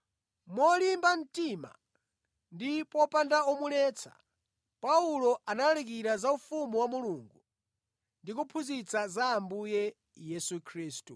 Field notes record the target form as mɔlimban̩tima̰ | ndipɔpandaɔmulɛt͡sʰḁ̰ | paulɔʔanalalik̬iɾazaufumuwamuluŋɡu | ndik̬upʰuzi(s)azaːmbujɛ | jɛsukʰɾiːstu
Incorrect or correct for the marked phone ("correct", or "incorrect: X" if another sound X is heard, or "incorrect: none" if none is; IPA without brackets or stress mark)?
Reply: incorrect: t͡s